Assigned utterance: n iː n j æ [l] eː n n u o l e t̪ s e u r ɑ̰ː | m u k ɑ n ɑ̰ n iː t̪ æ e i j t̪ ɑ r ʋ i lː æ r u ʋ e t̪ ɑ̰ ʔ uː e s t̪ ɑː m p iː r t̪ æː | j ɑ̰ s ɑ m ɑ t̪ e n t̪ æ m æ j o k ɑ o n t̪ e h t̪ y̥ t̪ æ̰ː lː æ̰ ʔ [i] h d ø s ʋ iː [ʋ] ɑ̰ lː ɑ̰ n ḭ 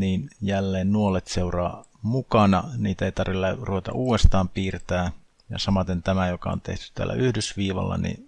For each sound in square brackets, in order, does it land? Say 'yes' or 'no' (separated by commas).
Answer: no, no, yes